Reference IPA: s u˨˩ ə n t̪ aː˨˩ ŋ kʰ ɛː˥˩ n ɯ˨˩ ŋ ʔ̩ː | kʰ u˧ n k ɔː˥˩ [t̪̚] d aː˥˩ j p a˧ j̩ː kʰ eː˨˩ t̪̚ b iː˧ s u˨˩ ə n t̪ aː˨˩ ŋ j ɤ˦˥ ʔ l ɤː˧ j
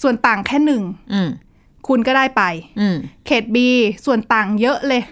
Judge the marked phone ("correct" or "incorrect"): incorrect